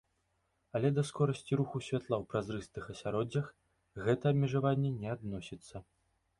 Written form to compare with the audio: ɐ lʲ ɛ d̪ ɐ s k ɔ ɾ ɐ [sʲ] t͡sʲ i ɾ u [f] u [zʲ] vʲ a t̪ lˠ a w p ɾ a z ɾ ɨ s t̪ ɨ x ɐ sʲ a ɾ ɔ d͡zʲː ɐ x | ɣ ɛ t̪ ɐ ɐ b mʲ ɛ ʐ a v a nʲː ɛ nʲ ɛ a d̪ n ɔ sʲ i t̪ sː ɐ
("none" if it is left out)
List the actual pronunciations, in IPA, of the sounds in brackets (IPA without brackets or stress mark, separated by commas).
sʲ, x, sʲ